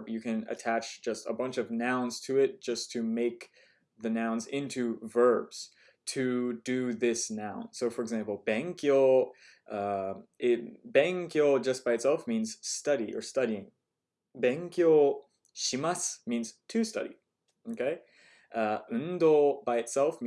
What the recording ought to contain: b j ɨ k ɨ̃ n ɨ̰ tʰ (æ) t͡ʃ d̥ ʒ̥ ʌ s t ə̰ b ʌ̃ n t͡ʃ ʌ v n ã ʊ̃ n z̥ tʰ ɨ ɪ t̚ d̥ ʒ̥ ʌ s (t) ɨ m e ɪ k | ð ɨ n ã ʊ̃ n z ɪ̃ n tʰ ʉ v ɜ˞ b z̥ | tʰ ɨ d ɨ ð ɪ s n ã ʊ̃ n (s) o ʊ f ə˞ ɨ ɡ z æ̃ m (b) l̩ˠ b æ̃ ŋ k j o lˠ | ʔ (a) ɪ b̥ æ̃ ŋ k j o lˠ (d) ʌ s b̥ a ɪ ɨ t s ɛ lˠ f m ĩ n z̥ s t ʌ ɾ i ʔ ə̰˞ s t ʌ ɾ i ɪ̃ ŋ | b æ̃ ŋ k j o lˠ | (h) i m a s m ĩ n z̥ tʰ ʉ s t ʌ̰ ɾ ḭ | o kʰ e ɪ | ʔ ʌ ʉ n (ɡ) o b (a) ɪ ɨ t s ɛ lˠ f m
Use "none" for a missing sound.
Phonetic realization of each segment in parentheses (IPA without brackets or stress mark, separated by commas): æ, tʰ, s, p, ʌ, d͡ʒ, ʃ, d, a